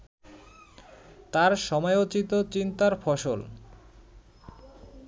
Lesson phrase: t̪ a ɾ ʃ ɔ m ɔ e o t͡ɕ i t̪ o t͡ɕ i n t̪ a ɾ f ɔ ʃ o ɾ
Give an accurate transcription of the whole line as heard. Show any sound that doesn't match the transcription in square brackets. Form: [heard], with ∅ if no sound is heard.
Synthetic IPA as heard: t̪ a ɾ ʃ ɔ m ɔ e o t͡ɕ i t̪ o t͡ɕ i n t̪ a ɾ f ɔ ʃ o [l]